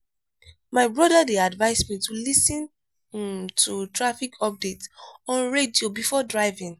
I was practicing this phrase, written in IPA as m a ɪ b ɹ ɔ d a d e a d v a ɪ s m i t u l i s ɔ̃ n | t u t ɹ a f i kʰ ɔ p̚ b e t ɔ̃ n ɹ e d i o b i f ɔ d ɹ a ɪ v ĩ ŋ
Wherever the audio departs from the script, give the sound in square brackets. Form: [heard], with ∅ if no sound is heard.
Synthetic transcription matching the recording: m a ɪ b ɹ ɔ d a d e a d v a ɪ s m i t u l i s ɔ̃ n | t u t ɹ a f i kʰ ɔ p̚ [d] e t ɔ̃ n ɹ e d i o b i f ɔ d ɹ a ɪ v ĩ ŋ